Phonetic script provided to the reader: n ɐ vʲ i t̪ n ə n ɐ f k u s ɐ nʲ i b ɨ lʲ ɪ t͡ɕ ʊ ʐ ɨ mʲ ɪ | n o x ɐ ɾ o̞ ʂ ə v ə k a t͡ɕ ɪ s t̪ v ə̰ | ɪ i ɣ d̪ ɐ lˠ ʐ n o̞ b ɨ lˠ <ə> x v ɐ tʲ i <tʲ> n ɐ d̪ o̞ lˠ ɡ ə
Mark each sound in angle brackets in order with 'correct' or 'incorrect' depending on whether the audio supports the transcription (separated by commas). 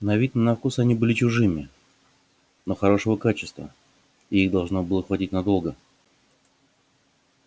correct, correct